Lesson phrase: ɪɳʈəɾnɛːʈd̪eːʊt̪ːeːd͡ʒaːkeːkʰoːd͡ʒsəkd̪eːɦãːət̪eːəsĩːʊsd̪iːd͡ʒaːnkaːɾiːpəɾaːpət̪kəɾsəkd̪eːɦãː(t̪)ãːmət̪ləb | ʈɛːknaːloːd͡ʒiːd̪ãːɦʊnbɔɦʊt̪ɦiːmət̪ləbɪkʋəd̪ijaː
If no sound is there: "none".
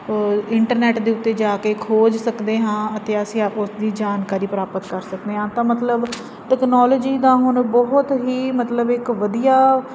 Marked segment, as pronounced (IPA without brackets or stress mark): t̪